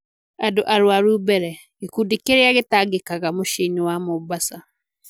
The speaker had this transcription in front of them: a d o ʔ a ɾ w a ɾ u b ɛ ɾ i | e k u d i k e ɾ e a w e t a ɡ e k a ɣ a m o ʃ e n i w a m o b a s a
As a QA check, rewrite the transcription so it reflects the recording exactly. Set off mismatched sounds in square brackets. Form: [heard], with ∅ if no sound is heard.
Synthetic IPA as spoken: a d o ʔ a ɾ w a ɾ u b ɛ ɾ [ɛ] | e k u d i k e ɾ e a [ɣ] e t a ɡ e k a ɣ a m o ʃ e n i w a m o b a s a